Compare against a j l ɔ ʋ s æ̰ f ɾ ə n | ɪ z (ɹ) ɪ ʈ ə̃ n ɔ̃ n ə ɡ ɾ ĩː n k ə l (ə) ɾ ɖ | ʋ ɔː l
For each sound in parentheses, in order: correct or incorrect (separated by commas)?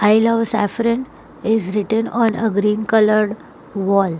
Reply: incorrect, correct